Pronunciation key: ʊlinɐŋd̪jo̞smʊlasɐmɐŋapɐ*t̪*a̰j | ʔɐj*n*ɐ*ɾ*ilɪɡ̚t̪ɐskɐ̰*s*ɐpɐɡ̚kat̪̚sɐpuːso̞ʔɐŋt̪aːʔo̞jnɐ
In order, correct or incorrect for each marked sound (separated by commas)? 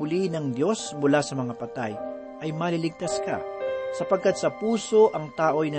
correct, incorrect, incorrect, correct